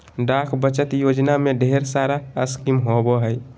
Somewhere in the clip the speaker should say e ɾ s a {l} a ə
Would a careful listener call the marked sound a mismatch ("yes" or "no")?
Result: yes